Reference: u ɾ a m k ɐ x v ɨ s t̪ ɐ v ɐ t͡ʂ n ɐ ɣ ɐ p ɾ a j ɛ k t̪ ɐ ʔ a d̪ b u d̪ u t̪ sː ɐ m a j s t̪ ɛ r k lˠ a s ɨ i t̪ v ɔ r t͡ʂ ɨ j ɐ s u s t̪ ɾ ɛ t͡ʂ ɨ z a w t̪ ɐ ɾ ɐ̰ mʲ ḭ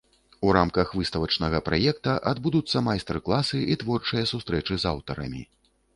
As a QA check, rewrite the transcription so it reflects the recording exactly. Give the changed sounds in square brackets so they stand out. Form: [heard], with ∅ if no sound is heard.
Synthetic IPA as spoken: u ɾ a m k ɐ x v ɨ s t̪ ɐ v ɐ t͡ʂ n ɐ ɣ ɐ p ɾ a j ɛ k t̪ ɐ ʔ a d̪ b u d̪ u t̪ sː ɐ m a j s t̪ ɛ r k lˠ a s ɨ i t̪ v ɔ r t͡ʂ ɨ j ɐ s u s t̪ ɾ ɛ t͡ʂ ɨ z a w t̪ ɐ ɾ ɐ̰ mʲ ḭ